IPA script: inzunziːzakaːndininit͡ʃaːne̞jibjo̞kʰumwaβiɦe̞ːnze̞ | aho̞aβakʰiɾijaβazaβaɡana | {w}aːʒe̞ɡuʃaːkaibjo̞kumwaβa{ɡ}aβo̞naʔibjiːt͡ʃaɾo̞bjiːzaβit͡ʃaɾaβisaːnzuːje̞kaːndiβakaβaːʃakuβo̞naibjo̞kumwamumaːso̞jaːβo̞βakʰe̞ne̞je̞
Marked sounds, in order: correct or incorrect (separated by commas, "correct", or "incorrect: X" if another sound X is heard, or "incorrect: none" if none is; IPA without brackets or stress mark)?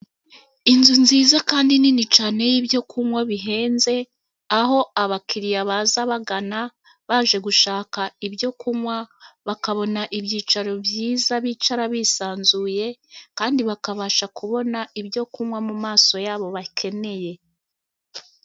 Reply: incorrect: β, incorrect: k